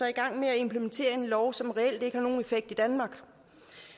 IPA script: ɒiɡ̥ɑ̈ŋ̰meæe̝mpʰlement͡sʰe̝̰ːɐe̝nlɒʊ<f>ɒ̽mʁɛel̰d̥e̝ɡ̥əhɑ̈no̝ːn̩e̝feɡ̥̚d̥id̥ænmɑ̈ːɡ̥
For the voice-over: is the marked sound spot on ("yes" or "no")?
no